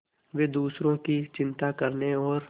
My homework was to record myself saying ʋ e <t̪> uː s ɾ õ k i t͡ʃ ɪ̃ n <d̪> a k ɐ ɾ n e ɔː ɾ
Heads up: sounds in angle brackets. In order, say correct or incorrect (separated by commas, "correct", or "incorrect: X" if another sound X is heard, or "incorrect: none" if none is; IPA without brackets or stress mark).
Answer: incorrect: d̪, incorrect: t̪